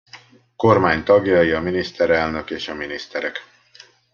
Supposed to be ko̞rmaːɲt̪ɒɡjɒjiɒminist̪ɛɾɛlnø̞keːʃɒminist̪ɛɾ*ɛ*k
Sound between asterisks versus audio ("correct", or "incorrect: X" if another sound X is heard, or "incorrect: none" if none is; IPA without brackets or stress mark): correct